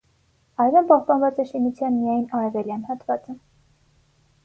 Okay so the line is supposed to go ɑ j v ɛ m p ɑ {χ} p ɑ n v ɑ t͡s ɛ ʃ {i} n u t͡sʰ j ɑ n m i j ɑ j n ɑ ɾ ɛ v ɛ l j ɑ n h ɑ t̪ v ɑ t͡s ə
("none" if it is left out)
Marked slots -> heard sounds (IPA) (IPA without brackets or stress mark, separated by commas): h, i